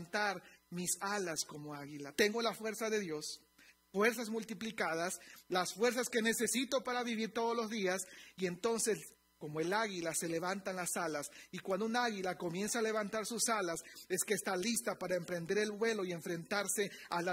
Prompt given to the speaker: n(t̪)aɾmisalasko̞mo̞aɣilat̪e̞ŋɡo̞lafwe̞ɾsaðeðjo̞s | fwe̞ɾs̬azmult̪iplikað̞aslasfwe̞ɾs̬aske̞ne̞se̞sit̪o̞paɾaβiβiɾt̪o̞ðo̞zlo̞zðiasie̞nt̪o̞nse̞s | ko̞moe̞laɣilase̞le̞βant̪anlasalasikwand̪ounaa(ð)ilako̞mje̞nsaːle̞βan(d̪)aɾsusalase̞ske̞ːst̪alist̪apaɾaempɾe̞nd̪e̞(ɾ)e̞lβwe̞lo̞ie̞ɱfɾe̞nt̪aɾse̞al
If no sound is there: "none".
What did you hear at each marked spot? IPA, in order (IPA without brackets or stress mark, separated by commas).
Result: t̪, ɣ, t̪, ɾ